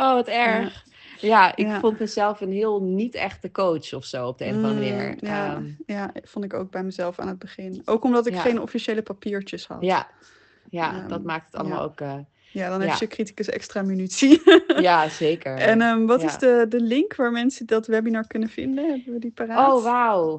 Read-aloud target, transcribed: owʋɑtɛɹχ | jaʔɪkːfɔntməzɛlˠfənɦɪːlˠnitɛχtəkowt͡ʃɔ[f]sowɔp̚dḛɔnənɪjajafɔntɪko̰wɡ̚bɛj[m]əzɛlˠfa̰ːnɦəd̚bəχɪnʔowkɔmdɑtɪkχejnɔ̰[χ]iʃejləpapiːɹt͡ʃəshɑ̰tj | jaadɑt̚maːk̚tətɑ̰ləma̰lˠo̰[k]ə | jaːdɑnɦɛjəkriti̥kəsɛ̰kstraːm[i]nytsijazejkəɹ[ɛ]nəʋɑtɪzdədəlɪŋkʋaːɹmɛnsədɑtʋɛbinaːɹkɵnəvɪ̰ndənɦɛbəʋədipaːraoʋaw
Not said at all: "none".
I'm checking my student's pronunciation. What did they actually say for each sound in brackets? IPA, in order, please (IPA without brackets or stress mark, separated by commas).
f, m, f, k, y, ɛ